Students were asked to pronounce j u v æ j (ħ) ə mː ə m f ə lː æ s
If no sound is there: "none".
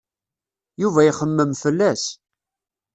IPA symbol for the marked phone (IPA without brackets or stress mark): χ